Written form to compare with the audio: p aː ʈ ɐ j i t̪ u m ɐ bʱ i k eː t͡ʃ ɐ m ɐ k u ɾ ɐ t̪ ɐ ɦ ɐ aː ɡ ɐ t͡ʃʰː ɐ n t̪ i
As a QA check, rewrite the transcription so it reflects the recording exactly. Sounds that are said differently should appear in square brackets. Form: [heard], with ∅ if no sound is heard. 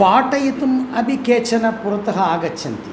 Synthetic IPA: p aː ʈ ɐ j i t̪ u m ɐ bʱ i k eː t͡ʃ ɐ [n] ɐ [p] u ɾ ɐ t̪ ɐ ɦ ɐ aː ɡ ɐ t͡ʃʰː ɐ n t̪ i